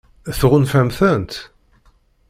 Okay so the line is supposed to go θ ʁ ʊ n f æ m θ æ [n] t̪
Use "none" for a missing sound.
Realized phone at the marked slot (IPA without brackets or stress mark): n